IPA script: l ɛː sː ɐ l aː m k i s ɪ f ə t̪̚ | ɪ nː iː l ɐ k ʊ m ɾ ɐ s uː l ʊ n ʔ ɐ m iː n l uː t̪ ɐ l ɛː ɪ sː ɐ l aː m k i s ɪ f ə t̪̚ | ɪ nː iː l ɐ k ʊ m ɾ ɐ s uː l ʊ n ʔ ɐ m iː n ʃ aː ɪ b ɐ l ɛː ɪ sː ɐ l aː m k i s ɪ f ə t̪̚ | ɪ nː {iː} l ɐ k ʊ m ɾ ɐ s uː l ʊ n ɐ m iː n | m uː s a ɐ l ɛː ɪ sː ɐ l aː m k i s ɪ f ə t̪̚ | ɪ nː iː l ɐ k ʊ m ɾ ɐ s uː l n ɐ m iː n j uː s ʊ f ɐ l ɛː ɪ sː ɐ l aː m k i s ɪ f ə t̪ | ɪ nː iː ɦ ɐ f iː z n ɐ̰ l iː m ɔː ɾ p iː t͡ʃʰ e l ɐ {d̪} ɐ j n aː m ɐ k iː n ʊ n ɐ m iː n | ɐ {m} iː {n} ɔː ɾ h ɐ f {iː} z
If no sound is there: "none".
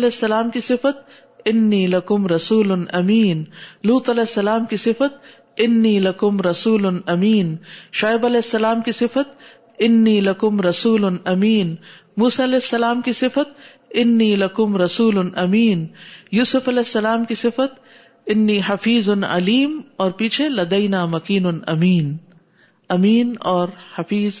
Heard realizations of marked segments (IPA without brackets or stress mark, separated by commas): iː, d̪, m, n, iː